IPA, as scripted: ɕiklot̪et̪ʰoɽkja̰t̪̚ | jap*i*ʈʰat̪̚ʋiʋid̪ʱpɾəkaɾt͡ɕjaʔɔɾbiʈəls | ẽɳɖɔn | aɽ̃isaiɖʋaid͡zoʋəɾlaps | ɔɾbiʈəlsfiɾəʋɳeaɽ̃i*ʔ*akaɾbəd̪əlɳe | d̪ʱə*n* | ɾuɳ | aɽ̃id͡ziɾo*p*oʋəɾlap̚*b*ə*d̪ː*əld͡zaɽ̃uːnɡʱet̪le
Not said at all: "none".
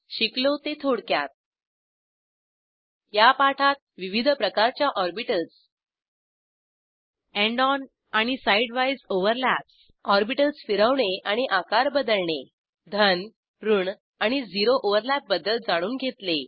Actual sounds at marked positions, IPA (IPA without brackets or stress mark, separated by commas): a, ʔ, n, ʔ, b, d̪